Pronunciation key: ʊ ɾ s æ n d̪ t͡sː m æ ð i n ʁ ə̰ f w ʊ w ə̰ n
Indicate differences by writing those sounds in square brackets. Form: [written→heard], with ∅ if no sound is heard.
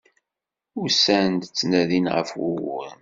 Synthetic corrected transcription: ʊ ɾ s æ n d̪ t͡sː [m→n] æ ð i n ʁ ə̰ f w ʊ w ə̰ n